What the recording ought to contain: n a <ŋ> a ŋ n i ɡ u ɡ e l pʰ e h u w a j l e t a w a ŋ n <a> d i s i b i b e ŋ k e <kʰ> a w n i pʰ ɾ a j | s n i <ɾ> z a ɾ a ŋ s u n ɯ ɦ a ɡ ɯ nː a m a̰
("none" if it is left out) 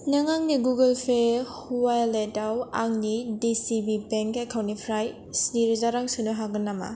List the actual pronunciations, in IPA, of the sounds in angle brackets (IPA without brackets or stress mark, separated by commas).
ŋ, i, kʰ, ɾ